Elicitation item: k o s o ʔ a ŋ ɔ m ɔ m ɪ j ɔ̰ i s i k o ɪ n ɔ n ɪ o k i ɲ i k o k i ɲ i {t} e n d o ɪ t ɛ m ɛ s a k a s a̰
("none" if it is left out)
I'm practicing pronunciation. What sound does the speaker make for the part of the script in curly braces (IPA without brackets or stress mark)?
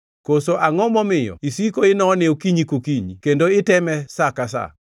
k